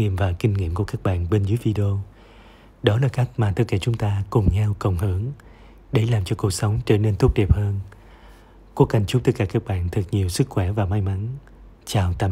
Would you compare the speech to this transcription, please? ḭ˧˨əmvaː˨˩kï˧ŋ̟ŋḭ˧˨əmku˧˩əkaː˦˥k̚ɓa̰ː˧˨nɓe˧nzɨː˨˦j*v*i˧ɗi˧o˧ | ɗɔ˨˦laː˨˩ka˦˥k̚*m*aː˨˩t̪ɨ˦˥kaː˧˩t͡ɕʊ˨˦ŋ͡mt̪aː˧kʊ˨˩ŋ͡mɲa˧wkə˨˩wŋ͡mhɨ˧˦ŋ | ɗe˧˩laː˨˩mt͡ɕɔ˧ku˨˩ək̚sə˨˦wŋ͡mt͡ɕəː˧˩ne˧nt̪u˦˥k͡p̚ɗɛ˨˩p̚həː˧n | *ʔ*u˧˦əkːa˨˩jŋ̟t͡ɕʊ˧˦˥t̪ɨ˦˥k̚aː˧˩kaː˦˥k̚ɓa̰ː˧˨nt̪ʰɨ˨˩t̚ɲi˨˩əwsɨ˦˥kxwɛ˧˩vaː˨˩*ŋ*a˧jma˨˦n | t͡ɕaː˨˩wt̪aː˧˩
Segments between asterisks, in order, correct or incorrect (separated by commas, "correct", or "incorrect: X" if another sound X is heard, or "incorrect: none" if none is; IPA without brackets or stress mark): correct, correct, incorrect: k, incorrect: m